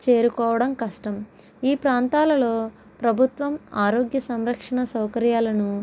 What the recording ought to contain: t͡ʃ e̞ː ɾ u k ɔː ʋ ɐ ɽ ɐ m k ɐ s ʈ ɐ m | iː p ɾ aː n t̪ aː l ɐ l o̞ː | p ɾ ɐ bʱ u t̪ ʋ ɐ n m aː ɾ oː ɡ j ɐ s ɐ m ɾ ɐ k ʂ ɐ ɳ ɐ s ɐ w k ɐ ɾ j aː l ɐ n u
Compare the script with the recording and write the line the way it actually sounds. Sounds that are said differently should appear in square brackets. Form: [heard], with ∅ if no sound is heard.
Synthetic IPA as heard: t͡ʃ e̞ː ɾ u k ɔː ʋ ɐ ɽ ɐ m k ɐ [ʂ] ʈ ɐ m | iː p ɾ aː n t̪ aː l ɐ l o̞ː | p ɾ ɐ bʱ u t̪ ʋ ɐ [∅] m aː ɾ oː ɡ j ɐ s ɐ m ɾ ɐ k ʂ ɐ ɳ ɐ s ɐ w k ɐ ɾ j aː l ɐ n u